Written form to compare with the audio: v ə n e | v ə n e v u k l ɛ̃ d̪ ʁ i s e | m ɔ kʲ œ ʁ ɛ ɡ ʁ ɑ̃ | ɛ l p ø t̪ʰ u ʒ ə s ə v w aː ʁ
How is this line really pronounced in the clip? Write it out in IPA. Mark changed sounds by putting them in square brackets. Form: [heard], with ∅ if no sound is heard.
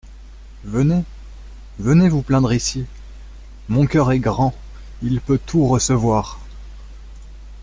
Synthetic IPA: v ə n e | v ə n e v u [p] l ɛ̃ d̪ ʁ i s [i] | m [ɔ̃] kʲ œ ʁ ɛ ɡ ʁ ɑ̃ | [i] l p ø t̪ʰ u [ʁ] ə s ə v w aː ʁ